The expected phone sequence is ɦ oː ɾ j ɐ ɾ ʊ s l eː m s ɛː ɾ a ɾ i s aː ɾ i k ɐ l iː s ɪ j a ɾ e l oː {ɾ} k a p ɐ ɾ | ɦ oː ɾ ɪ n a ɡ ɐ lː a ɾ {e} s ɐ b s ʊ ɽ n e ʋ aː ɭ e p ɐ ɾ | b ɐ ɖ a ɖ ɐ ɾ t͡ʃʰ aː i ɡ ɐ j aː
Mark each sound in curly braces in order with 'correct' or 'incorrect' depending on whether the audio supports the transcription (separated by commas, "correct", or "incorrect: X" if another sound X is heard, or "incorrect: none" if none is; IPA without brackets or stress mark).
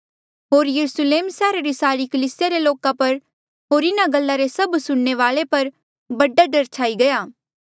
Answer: incorrect: none, correct